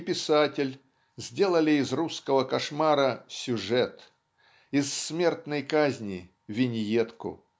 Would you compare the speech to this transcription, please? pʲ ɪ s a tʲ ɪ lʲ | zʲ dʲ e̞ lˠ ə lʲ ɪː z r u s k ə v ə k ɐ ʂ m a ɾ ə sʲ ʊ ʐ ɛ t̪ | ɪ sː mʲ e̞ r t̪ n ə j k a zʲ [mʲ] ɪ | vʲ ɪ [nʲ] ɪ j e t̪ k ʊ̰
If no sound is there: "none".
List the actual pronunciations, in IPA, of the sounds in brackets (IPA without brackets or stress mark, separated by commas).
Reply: nʲ, nʲ